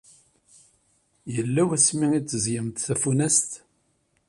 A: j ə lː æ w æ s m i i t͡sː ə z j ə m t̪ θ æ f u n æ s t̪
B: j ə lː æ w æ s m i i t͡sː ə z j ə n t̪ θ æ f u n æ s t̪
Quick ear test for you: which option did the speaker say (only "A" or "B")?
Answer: A